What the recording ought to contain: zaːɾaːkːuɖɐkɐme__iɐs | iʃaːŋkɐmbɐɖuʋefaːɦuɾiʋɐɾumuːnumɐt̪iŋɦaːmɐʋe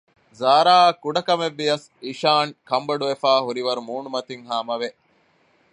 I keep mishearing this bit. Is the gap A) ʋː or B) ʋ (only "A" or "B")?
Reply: A